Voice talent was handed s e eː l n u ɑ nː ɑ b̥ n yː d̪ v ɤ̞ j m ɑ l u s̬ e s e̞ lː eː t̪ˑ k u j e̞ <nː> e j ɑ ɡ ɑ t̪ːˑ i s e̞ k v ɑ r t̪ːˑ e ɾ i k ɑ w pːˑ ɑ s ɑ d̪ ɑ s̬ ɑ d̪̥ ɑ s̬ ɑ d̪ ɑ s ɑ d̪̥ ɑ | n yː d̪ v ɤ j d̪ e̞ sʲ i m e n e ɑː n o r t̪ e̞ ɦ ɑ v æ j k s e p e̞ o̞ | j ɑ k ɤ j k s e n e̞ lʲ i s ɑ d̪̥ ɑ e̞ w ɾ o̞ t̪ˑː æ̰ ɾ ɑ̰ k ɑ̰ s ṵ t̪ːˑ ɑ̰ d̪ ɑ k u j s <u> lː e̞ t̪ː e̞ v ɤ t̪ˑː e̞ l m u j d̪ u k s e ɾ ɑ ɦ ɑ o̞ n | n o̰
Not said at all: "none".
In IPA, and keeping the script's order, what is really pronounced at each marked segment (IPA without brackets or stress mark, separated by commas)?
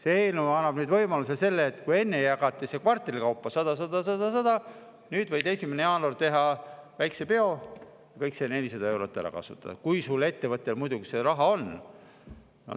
nː, u